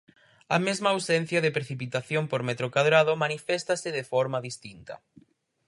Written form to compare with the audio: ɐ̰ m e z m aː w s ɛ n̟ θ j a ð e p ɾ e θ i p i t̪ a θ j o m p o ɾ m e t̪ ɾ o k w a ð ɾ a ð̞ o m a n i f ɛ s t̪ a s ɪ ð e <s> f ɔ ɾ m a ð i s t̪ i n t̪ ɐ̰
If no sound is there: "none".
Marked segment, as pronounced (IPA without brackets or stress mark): none